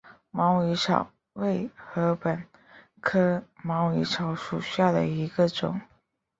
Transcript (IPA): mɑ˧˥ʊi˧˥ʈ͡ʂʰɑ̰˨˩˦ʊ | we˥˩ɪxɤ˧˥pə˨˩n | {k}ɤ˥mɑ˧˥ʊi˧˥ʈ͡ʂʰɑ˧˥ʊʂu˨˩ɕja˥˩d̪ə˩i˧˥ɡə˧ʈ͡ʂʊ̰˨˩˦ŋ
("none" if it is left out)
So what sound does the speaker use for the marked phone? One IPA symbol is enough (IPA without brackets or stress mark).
kʰ